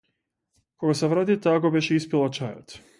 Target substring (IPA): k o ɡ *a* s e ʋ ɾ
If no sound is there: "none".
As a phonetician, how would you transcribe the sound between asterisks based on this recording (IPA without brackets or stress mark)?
a